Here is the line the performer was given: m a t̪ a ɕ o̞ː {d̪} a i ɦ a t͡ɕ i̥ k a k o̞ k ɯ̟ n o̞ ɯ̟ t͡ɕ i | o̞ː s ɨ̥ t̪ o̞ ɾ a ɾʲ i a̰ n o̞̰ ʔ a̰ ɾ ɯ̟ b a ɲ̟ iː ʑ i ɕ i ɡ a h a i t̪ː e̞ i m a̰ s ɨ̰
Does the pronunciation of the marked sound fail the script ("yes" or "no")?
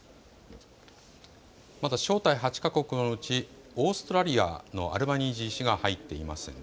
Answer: yes